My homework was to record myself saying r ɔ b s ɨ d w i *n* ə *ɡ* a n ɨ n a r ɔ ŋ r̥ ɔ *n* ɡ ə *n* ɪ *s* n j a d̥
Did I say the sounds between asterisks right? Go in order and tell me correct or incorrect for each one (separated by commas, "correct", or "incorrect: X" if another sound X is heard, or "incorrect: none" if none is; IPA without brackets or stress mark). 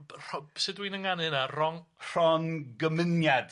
correct, incorrect: ŋ, correct, incorrect: m, incorrect: none